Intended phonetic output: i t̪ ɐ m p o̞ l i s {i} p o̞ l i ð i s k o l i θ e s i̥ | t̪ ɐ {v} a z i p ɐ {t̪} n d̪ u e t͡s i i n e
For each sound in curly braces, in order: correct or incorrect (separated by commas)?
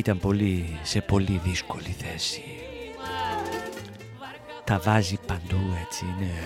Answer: incorrect, correct, incorrect